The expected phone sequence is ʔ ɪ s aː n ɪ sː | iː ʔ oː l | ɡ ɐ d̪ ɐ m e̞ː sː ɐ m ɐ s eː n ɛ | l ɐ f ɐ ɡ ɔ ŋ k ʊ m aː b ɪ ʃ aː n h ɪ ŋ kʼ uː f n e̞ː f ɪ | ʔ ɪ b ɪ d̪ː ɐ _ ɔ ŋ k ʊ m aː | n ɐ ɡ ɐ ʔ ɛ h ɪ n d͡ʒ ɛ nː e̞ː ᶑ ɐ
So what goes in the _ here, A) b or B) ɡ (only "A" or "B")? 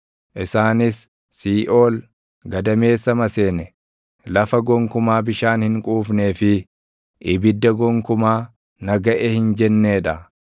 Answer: B